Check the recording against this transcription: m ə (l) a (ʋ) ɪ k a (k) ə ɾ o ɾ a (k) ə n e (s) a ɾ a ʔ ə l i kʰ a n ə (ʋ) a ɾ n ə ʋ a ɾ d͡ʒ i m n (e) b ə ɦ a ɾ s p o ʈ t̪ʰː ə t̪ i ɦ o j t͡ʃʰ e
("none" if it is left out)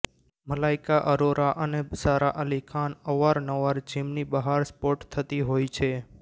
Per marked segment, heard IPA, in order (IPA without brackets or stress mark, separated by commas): l, none, ʔ, ʔ, s, ʋ, i